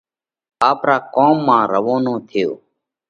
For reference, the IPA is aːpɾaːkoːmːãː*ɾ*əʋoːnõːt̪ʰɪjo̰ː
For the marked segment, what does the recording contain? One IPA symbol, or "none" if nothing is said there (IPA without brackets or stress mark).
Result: ɾ